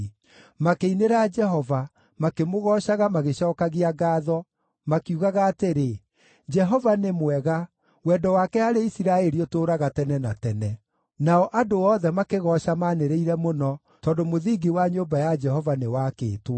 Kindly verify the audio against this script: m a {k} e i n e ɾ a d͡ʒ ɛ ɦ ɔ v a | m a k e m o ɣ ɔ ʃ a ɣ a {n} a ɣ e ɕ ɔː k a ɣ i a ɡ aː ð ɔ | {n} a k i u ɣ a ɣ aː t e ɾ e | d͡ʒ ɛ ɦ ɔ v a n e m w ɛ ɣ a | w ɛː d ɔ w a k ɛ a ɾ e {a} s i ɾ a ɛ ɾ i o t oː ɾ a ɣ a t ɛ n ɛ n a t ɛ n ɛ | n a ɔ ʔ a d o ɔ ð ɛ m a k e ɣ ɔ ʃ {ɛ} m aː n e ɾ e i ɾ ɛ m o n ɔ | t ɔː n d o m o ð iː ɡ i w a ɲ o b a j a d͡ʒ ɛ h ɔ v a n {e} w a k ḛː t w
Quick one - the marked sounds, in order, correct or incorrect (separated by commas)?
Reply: correct, incorrect, incorrect, incorrect, incorrect, correct